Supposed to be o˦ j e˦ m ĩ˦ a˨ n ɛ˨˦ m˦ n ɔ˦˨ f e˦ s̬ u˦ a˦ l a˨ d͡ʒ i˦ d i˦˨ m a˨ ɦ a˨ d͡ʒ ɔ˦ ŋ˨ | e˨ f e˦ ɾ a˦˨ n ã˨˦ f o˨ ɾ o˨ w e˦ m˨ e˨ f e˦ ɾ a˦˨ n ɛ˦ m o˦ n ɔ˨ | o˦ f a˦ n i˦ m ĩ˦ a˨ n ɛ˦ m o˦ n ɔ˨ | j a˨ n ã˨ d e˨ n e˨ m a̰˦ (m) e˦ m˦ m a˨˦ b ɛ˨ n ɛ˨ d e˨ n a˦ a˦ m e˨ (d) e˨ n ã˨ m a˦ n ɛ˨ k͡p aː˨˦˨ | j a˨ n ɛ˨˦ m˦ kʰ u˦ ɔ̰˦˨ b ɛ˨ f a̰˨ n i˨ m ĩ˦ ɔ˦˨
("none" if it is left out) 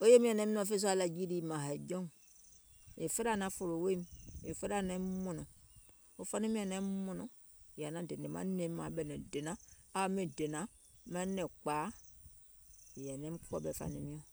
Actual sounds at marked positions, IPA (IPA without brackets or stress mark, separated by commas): n, d